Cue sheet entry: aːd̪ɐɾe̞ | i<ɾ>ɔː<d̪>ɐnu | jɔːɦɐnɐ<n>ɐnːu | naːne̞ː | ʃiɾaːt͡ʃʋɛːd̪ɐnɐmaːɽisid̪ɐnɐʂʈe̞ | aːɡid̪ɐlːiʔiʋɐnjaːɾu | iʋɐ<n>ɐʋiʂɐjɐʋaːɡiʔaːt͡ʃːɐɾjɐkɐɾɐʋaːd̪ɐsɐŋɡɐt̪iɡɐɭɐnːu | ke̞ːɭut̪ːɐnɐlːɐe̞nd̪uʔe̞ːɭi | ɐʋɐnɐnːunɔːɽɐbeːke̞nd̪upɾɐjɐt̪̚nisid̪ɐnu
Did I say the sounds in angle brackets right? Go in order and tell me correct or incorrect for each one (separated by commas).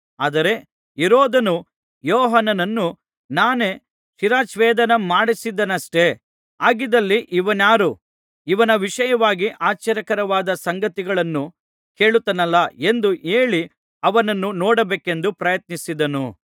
correct, correct, correct, correct